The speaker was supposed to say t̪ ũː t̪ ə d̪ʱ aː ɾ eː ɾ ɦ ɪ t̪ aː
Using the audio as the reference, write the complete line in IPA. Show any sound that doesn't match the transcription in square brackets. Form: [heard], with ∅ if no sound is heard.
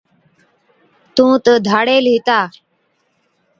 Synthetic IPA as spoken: t̪ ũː t̪ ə d̪ʱ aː [ɽ] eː [l] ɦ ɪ t̪ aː